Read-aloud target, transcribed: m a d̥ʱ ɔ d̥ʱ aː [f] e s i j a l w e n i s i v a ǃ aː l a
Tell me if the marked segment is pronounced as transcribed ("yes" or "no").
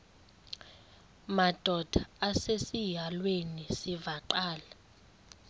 no